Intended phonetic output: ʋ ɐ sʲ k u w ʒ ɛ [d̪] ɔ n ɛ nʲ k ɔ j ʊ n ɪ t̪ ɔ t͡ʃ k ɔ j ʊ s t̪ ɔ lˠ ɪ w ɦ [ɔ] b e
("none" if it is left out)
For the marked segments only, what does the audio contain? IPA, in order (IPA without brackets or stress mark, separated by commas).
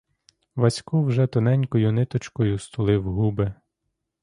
t̪, u